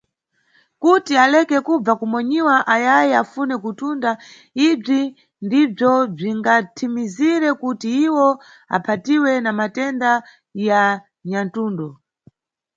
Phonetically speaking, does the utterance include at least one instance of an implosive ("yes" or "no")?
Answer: no